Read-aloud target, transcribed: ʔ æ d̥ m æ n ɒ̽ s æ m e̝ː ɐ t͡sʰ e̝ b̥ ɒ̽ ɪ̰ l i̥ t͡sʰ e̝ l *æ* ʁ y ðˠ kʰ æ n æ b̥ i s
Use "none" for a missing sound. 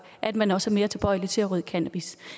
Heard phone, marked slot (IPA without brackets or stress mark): æ